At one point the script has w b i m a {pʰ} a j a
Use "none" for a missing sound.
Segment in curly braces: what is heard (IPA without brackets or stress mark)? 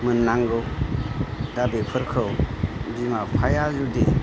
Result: pʰ